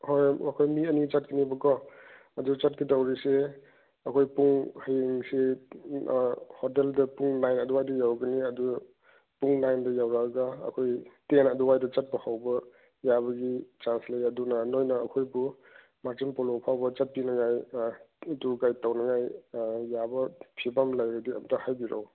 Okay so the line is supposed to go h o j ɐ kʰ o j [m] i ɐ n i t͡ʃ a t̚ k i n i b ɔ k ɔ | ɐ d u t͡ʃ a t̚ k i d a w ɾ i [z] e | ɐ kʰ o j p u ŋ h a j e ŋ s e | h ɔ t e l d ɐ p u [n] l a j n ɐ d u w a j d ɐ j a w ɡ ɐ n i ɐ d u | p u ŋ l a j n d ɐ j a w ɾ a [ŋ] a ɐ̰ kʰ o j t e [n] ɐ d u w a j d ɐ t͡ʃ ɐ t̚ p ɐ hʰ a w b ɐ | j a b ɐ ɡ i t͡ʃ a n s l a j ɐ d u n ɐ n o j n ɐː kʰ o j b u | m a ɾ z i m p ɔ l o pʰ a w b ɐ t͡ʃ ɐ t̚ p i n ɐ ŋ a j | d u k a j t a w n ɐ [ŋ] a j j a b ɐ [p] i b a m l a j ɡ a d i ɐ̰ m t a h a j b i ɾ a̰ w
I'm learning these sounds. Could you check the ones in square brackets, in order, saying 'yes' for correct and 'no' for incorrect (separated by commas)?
yes, no, no, no, yes, yes, no